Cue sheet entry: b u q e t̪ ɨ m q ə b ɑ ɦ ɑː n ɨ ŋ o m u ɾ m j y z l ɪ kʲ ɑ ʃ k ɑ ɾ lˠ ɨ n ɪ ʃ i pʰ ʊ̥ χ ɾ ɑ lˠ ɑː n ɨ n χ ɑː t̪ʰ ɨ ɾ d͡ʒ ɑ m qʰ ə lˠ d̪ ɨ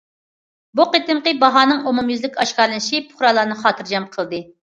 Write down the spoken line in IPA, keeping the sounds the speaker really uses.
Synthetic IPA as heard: b u q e t̪ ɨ m q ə b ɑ ɦ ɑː n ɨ ŋ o m u m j y z l ɪ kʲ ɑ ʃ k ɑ ɾ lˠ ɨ n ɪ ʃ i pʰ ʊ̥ χ ɾ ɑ lˠ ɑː n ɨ χ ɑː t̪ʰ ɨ ɾ d͡ʒ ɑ m qʰ ə lˠ d̪ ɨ